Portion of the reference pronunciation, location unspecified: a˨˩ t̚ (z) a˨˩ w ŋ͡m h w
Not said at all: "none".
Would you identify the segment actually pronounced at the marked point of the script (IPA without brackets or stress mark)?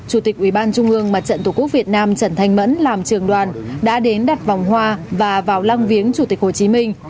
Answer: v